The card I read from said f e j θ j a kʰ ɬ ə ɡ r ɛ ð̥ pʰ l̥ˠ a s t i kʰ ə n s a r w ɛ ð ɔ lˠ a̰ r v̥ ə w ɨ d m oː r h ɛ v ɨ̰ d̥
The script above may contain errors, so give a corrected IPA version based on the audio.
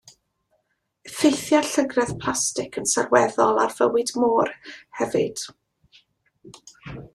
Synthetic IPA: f e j θ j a ɬ ə ɡ r ɛ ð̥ pʰ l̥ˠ a s t ɪ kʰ ə n s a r w ɛ ð ɔ lˠ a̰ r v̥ ə w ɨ d m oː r h ɛ v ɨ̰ d̥